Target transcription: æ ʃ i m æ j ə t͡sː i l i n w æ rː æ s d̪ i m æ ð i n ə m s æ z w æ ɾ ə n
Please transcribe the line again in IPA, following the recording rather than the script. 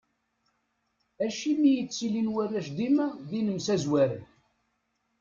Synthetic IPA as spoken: æ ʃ i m i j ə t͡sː i l i n w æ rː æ ʃ d̪ i m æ ð i n ə m s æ z w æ ɾ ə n